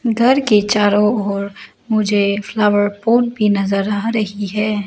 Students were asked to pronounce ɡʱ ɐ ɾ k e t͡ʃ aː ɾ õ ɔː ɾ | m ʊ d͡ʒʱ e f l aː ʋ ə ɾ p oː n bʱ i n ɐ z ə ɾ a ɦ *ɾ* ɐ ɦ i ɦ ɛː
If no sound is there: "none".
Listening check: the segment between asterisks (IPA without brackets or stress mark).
ɾ